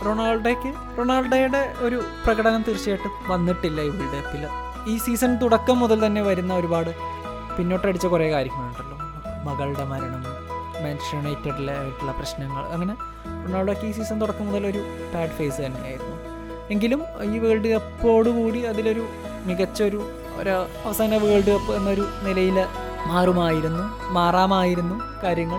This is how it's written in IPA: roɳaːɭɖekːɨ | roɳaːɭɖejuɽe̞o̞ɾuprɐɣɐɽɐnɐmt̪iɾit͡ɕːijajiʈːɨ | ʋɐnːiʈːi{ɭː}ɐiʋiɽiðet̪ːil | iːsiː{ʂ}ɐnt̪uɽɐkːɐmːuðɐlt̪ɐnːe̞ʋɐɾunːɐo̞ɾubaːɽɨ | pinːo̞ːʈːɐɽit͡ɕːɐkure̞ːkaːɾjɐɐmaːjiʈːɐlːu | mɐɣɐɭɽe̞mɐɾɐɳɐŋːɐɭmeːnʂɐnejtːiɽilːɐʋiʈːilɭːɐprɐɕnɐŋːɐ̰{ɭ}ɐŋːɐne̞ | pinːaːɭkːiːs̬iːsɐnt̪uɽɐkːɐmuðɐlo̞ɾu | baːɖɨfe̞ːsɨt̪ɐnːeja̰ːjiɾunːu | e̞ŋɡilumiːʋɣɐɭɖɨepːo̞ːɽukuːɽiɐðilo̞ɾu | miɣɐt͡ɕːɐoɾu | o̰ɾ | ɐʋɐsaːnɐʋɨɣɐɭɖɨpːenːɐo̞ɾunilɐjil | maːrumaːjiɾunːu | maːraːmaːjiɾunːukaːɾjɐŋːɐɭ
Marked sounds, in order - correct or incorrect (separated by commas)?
incorrect, incorrect, correct